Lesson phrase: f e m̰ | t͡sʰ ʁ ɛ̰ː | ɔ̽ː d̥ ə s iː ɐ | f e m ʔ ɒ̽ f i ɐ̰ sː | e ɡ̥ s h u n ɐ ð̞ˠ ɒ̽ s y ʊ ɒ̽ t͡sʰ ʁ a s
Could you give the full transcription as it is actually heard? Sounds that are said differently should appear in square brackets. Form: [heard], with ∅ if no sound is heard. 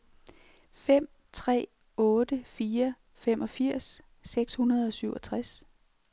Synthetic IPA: f e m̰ | t͡sʰ ʁ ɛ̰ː | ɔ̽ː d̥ ə [f] iː ɐ | f e m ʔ ɒ̽ f i ɐ̰ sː | e ɡ̥ s h u n ɐ ð̞ˠ ɒ̽ s y ʊ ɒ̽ t͡sʰ ʁ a s